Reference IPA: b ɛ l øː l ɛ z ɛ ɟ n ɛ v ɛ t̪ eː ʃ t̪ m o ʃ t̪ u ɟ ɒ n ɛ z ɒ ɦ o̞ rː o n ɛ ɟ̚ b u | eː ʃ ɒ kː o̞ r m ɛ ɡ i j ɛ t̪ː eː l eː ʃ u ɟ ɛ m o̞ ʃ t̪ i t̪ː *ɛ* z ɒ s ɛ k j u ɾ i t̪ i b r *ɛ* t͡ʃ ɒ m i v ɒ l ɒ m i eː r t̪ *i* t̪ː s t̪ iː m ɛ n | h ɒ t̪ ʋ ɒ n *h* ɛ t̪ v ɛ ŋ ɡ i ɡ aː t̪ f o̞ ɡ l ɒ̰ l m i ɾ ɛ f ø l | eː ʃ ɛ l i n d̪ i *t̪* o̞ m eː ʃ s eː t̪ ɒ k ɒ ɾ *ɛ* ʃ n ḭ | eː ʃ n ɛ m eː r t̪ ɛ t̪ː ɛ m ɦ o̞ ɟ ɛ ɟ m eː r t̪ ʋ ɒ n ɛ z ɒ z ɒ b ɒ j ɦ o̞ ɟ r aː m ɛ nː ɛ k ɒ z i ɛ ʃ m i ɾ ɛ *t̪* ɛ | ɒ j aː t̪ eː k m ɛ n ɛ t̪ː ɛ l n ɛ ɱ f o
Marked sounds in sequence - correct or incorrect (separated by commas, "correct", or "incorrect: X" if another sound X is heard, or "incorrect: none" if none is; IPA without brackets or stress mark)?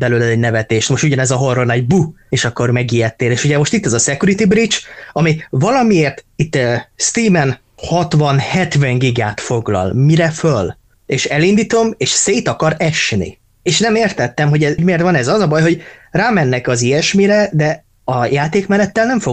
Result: correct, incorrect: i, correct, correct, correct, correct, incorrect: d̪